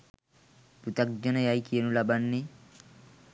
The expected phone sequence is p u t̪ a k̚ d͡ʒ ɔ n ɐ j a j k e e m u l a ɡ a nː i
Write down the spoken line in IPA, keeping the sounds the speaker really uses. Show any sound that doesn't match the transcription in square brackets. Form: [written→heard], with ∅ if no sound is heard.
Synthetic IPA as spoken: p u t̪ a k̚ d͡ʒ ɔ n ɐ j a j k [e→i] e [m→n] u l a [ɡ→b] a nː i